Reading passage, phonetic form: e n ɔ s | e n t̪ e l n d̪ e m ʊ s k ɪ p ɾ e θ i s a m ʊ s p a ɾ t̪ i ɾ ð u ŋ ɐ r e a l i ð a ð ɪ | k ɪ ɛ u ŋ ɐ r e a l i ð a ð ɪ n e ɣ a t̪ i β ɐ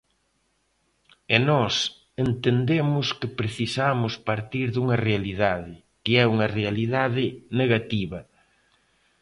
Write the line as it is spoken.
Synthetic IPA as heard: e n ɔ s | e n t̪ e n d̪ e m ʊ s k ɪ p ɾ e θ i s a m ʊ s p a ɾ t̪ i ɾ ð u ŋ ɐ r e a l i ð a ð ɪ | k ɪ ɛ u ŋ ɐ r e a l i ð a ð ɪ n e ɣ a t̪ i β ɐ